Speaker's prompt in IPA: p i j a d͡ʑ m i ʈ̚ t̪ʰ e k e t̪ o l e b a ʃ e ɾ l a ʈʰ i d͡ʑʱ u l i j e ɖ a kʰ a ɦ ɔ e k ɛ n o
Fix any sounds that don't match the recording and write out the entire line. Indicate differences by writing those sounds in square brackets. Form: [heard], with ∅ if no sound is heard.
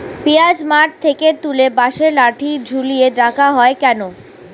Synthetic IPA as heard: p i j a d͡ʑ m [a] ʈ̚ t̪ʰ e k e t̪ [u] l e b a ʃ e ɾ l a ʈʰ i d͡ʑʱ u l i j e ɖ a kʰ a ɦ ɔ e k ɛ n o